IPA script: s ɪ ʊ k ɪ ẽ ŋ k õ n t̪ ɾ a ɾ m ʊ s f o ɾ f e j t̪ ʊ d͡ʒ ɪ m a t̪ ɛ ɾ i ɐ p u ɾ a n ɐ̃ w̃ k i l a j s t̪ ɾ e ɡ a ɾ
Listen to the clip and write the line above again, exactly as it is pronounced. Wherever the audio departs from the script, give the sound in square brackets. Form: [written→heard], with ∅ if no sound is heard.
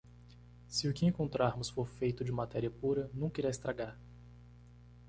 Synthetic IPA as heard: s ɪ ʊ k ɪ ẽ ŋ k õ n t̪ ɾ a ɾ m ʊ s f o ɾ f e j t̪ ʊ d͡ʒ ɪ m a t̪ ɛ ɾ i ɐ p u ɾ [a→ɐ] n ɐ̃ w̃ k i [l→ɾ] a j s t̪ ɾ [e→a] ɡ a ɾ

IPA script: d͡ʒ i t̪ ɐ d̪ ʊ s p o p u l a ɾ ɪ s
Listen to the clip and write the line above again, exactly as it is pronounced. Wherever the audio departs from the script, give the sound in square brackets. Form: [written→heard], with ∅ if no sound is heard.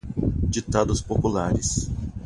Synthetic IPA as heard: d͡ʒ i t̪ [ɐ→a] d̪ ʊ s p o p u l a ɾ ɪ s

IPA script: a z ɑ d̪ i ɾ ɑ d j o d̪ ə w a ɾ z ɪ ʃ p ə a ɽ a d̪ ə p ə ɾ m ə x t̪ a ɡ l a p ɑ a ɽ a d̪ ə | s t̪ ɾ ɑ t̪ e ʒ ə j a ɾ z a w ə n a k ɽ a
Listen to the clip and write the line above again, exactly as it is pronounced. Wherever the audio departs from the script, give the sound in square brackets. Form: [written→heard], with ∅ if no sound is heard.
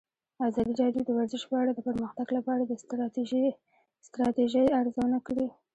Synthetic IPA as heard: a z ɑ d̪ i ɾ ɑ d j o d̪ ə w a ɾ z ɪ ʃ p ə a ɽ a d̪ ə p ə ɾ m ə x t̪ a ɡ l a p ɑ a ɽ a d̪ ə | s t̪ ɾ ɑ t̪ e ʒ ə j a ɾ z a w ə n a k ɽ [a→i]

